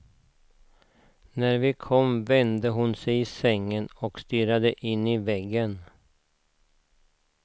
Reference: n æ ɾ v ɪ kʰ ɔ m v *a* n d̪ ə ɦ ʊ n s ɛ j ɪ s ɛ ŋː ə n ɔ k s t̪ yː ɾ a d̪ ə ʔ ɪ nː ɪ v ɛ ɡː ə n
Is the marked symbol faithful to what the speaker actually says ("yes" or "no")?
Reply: no